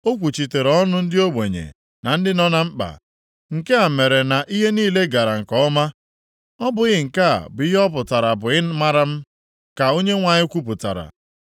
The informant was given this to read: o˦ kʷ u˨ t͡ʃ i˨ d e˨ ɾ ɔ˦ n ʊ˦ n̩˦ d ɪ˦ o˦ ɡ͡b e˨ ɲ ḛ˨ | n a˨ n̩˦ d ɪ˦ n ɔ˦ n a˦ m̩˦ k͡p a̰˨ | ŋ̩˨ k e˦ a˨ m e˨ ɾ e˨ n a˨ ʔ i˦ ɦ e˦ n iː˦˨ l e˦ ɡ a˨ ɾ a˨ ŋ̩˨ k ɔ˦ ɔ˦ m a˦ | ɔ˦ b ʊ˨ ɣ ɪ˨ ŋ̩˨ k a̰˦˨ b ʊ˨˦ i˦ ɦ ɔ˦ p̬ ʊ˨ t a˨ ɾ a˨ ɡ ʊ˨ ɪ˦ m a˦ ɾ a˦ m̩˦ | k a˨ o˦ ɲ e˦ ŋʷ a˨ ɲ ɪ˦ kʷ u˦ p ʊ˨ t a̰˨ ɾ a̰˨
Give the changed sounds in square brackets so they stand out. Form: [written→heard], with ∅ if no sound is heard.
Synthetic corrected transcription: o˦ kʷ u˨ t͡ʃ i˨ [d→t] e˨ ɾ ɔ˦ n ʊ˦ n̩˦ d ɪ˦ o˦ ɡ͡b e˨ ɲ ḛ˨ | n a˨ n̩˦ d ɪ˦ n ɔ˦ n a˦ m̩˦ k͡p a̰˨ | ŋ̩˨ k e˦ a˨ m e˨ ɾ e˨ n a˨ ʔ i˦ ɦ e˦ n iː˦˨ l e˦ ɡ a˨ ɾ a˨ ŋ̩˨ k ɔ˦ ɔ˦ m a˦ | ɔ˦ b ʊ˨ ɣ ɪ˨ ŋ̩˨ k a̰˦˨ b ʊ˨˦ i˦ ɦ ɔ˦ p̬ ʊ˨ t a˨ ɾ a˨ [ɡ→b] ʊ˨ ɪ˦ m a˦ ɾ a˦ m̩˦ | k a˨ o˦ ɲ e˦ ŋʷ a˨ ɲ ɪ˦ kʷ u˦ p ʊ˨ t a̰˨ ɾ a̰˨